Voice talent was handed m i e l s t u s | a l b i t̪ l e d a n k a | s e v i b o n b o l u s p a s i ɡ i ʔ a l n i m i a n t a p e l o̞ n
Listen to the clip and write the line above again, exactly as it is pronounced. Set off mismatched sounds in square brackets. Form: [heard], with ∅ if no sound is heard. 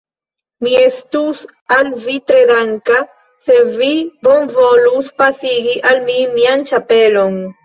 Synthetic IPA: m i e [∅] s t u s | a l [v] i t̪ [ɾ] e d a [ŋ] k a | s e v i b o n [v] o l u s p a s i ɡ i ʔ a l [m] i m i a n [t͡ʃ] a p e l o̞ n